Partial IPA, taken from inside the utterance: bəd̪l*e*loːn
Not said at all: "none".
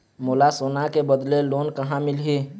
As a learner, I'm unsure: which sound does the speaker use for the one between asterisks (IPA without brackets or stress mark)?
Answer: e